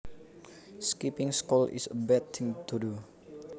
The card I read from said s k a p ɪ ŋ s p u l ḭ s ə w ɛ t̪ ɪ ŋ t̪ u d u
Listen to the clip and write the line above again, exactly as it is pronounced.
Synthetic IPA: s k i p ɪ ŋ s k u l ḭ s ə b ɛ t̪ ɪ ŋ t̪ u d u

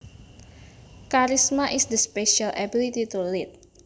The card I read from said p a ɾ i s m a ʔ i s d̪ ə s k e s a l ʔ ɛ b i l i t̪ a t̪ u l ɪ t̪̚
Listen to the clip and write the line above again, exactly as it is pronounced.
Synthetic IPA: k a ɾ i s m a ʔ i s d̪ ə s p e ʃ a l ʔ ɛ b i l i t̪ i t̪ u l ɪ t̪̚

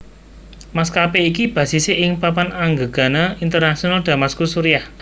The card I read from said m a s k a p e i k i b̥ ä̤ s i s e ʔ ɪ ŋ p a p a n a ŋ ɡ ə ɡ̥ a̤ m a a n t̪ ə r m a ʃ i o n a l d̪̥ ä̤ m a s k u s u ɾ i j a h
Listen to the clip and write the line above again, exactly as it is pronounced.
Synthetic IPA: m a s k a p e i k i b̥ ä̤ s i s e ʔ ɪ ŋ p a p a n a ŋ ɡ ə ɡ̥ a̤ n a i n t̪ ə r n a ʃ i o n a l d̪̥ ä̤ m a s k u s u ɾ i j a h

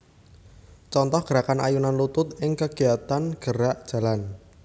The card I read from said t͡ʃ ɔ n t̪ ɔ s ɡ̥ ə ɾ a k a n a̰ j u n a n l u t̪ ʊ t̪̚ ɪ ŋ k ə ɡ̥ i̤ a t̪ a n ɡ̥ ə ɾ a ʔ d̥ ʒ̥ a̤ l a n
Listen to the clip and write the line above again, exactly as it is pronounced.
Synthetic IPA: t͡ʃ ɔ n t̪ ɔ h ɡ̥ ə ɾ a k a n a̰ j u n a n l u t̪ ʊ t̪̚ ɪ ŋ k ə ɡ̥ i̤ a t̪ a n ɡ̥ ə ɾ a ʔ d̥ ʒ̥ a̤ l a n

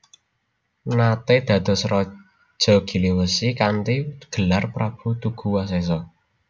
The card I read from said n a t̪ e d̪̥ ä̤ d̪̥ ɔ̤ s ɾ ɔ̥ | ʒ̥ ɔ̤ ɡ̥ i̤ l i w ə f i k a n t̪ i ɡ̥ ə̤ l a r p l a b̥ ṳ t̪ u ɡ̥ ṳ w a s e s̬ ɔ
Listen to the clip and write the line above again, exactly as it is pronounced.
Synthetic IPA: n a t̪ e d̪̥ ä̤ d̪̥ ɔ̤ s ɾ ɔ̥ | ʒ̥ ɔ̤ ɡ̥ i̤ l i w ə s i k a n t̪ i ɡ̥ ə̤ l a r p ɾ a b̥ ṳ t̪ u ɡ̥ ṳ w a s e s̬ ɔ

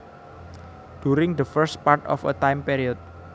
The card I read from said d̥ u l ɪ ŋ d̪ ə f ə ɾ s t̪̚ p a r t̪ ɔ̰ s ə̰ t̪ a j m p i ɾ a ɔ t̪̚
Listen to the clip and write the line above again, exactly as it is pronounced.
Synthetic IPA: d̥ u ɾ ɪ ŋ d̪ ə f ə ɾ s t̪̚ p a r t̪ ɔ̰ f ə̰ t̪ a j m p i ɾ i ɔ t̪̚

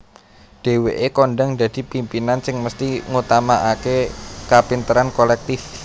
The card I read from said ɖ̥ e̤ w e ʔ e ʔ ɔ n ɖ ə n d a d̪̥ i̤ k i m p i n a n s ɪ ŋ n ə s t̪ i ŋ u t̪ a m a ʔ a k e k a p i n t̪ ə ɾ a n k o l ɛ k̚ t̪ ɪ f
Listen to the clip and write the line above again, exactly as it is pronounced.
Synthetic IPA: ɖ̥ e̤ w e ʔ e k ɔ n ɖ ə ŋ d a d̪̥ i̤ p i m p i n a n s ɪ ŋ m ə s t̪ i ŋ u t̪ a m a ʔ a k e k a p i n t̪ ə ɾ a n k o l ɛ k̚ t̪ ɪ f

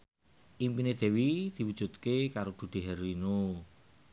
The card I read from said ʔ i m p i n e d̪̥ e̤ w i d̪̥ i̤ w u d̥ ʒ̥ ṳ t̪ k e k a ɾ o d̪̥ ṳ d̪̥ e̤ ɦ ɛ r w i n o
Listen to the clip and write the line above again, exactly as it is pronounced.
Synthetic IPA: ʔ i m p i n e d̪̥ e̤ w i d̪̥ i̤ w u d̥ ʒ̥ ṳ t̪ k e k a ɾ o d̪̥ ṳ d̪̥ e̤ ɦ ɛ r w i n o

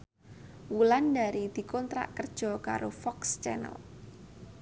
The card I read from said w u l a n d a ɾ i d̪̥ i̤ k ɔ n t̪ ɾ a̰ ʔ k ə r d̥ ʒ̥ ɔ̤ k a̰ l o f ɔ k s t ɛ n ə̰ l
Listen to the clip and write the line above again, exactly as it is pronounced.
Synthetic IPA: w u l a n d a ɾ i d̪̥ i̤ k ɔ n t̪ ɾ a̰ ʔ k ə r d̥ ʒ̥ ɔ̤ k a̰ ɾ o f ɔ k s t͡ʃ ɛ n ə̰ l

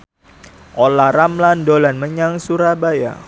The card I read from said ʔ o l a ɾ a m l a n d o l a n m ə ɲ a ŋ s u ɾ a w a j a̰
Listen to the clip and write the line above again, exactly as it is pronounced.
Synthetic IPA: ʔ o l a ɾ a m l a n d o l a n m ə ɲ a ŋ s u ɾ a b a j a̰

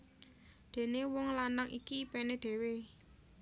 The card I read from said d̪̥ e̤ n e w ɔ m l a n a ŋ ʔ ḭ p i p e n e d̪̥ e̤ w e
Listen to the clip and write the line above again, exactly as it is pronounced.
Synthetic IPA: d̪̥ e̤ n e w ɔ ŋ l a n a ŋ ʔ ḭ k i p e n e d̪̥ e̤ w e

